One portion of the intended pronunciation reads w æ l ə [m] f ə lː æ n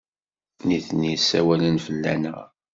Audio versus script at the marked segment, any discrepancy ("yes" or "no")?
yes